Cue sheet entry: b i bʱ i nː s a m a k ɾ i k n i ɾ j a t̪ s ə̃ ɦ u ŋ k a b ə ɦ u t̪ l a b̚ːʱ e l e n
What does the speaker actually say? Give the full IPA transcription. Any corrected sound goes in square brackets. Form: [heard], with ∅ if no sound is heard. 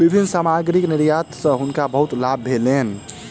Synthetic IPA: b i bʱ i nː s a m a [ɡ] ɾ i k n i ɾ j a t̪ s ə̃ ɦ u [n] k a b ə ɦ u t̪ l a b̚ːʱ e l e n